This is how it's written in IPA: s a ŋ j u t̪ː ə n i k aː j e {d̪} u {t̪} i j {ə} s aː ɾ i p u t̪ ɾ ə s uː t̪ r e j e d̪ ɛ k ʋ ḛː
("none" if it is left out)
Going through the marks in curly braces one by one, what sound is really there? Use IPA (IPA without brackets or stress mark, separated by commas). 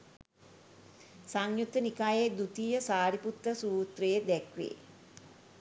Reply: d̪, t̪, ə